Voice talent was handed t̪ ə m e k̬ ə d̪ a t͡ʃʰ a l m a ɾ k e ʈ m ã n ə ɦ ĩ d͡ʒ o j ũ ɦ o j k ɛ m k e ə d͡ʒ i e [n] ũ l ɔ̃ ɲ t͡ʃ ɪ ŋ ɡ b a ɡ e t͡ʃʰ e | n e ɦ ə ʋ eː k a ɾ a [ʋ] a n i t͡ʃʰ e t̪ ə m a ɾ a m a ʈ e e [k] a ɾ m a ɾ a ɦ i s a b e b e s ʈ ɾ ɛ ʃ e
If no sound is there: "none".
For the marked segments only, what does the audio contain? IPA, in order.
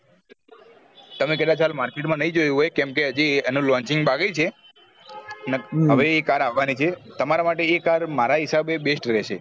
n, ʋː, k

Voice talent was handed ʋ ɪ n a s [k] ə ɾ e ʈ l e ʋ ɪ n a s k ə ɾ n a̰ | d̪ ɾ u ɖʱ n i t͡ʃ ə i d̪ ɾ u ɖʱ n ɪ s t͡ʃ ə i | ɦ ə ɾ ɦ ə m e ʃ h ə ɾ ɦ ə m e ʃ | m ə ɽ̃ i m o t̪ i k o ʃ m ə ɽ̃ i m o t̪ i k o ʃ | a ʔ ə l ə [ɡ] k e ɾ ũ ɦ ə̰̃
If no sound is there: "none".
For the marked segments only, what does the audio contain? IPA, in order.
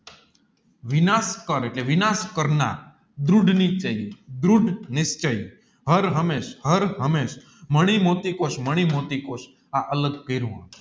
k, ɡ

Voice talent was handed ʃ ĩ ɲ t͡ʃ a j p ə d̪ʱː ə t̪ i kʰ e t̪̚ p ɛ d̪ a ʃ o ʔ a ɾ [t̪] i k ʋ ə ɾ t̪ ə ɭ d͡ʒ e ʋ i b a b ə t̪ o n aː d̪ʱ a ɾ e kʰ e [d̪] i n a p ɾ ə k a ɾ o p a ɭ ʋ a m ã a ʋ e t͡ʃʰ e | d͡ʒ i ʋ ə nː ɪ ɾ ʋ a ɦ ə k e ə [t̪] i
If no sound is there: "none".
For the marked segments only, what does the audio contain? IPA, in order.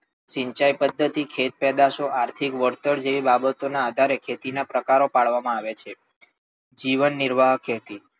t̪ʰ, t̪, t̪

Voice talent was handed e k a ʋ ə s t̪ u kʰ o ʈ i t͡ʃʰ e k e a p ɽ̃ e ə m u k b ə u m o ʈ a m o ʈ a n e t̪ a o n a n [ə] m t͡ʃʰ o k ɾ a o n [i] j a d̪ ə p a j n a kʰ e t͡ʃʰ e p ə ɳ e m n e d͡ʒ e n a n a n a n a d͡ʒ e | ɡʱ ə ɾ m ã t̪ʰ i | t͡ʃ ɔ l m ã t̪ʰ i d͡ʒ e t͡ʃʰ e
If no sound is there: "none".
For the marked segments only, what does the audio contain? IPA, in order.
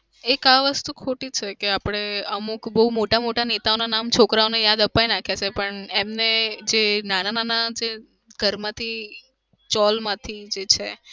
a, e

